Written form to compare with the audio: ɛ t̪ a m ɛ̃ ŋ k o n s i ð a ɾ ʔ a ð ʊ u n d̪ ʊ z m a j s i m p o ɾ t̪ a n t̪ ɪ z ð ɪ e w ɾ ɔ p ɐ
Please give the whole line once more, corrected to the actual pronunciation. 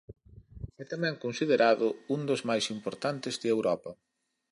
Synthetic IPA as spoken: ɛ t̪ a m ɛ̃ ŋ k o n s i ð e ɾ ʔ a ð ʊ u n d̪ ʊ z m a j s i m p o ɾ t̪ a n t̪ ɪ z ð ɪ e w ɾ ɔ p ɐ